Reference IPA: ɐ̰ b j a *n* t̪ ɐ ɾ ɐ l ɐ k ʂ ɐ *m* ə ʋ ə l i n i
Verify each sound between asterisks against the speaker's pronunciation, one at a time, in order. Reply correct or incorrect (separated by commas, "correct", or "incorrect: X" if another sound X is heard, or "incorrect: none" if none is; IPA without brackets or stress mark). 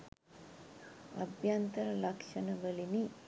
correct, incorrect: n